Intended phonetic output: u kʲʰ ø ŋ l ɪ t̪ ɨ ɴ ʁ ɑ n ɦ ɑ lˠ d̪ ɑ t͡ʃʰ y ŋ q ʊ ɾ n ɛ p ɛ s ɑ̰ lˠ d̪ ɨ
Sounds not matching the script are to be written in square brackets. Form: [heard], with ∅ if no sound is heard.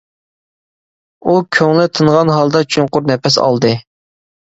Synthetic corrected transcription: u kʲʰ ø ŋ l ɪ [t̪ʰ] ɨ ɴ ʁ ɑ n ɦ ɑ lˠ d̪ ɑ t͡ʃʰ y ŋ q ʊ ɾ n ɛ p ɛ s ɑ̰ lˠ d̪ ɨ